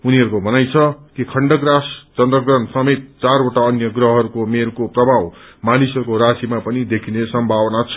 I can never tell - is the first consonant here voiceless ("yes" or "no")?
no